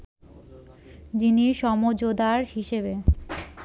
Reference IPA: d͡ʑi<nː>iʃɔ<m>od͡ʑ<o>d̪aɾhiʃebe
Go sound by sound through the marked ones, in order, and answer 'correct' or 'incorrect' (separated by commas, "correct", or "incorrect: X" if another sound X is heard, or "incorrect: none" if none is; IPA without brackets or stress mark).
incorrect: n, correct, correct